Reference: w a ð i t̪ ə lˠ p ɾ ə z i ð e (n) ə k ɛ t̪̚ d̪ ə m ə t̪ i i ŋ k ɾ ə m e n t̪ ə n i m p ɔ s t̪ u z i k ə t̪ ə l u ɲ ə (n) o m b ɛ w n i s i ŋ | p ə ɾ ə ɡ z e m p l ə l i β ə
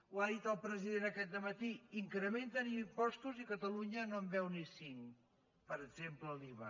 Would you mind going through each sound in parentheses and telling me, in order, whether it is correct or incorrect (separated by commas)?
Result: correct, correct